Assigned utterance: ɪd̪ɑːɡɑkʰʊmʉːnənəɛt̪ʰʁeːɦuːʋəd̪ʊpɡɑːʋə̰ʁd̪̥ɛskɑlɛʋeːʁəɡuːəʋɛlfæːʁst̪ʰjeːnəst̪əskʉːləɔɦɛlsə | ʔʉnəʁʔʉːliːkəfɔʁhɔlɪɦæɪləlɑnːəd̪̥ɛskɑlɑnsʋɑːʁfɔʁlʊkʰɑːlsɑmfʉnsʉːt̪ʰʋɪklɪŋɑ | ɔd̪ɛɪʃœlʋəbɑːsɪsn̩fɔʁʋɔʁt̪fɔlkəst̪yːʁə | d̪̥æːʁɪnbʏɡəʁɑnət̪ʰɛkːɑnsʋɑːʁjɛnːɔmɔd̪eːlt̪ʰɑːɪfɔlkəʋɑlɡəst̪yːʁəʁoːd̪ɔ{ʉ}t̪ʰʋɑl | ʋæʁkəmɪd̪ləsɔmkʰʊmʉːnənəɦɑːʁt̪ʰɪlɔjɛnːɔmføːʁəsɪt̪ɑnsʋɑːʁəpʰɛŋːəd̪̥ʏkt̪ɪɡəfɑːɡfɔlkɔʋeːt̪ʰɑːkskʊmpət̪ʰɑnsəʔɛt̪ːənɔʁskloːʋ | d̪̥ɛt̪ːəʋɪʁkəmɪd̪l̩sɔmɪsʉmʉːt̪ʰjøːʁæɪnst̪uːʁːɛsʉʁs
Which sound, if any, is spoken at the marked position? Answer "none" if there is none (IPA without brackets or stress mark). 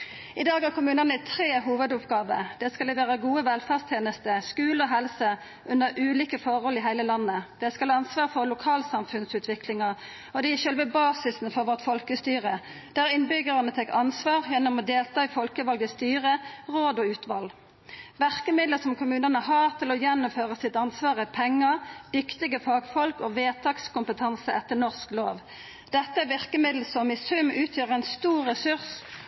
ʉː